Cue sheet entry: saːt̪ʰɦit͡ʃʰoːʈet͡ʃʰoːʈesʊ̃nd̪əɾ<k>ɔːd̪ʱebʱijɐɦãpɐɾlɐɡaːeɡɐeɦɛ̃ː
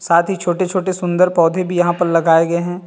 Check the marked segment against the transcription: incorrect: p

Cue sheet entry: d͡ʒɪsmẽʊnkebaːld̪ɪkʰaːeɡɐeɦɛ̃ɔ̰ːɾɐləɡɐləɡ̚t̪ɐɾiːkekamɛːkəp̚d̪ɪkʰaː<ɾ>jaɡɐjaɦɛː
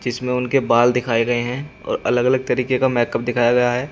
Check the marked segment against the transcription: incorrect: none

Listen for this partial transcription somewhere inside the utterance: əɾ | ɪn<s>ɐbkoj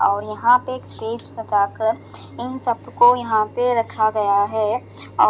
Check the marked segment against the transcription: correct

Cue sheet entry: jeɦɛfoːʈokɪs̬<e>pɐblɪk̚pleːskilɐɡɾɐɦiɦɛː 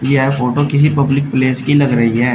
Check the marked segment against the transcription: incorrect: i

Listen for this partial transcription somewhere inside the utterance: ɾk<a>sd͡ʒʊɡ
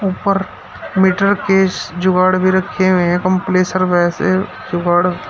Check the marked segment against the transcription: incorrect: e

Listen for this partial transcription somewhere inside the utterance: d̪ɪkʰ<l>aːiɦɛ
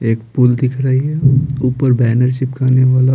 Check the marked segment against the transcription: incorrect: ɾ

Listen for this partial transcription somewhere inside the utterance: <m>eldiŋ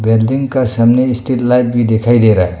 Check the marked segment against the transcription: incorrect: b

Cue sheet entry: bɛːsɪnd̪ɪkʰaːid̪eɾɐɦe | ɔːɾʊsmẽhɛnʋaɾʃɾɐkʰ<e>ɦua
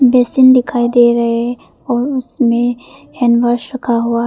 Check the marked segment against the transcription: incorrect: a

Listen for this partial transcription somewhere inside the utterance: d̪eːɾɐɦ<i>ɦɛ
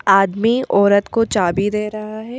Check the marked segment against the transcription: incorrect: a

